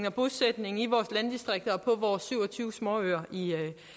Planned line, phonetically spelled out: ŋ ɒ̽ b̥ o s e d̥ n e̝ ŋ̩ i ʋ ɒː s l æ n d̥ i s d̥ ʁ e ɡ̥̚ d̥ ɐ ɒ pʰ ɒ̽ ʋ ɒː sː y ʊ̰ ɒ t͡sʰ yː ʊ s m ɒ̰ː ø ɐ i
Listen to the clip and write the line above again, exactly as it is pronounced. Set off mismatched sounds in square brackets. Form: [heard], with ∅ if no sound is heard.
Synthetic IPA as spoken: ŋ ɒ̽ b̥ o s e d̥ n e̝ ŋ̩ i ʋ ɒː s l æ n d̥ i s d̥ ʁ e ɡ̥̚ d̥ ɐ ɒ pʰ ɒ̽ ʋ ɒː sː y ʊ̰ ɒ t͡sʰ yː ʊ s m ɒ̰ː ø ɐ i